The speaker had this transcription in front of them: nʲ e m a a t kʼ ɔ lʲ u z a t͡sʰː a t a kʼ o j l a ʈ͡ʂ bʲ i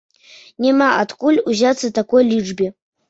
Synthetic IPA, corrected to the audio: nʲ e m a a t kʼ u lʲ u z a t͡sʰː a t a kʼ o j l i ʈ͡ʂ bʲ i